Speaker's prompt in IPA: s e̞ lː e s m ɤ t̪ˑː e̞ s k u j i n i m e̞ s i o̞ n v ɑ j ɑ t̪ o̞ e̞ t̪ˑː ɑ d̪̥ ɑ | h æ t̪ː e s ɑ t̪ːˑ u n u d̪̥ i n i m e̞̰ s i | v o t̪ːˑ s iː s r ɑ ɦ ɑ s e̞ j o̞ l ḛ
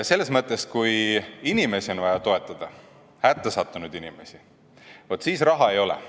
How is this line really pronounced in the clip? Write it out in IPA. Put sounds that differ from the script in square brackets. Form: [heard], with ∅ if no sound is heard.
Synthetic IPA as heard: s e̞ lː e s m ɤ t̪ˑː e̞ s k u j i n i m e̞ s i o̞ n v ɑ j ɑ t̪ o̞ e̞ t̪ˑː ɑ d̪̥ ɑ | h æ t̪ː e s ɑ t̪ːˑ u n u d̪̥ i n i m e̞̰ s i | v o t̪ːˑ s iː s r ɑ ɦ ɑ [∅] e̞ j o̞ l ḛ